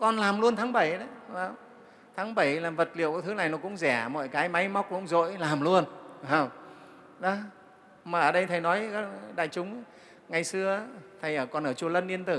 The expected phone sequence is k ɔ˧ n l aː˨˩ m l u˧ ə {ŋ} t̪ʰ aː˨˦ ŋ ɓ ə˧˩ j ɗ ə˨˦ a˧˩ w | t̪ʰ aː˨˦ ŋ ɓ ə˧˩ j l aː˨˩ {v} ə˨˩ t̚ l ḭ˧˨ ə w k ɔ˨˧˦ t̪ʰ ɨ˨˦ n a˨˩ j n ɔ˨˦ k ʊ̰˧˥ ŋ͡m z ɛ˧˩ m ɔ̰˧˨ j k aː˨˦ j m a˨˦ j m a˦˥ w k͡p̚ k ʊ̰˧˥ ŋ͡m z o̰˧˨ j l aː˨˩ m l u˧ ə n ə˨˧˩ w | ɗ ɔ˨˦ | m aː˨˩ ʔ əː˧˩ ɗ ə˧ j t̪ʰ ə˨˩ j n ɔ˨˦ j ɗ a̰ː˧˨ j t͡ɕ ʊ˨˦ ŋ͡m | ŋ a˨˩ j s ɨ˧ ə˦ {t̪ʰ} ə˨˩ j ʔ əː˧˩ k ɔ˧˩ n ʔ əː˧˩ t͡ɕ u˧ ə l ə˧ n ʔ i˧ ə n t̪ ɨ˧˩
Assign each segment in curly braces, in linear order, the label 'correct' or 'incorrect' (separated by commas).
incorrect, correct, correct